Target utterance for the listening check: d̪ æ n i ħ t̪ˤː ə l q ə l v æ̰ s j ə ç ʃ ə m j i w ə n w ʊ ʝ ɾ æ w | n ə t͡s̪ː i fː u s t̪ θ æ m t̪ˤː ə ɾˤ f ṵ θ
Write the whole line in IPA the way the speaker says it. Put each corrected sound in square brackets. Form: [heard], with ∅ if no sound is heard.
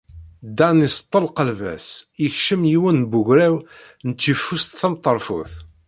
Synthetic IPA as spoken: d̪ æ n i [s] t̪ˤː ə l q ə l v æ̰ s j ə ç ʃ ə m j i w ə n [b] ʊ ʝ ɾ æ w | n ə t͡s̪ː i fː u s t̪ θ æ m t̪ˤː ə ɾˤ f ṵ θ